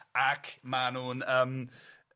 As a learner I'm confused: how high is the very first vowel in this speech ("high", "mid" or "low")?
low